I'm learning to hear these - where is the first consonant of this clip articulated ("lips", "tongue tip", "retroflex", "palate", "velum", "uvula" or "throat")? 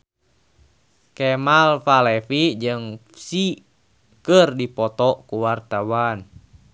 velum